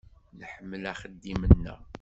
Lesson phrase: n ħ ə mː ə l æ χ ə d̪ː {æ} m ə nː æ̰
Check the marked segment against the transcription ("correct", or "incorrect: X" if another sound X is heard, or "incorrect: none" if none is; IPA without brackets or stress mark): incorrect: i